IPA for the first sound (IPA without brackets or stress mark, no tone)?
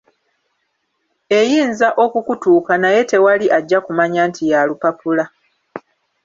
e̞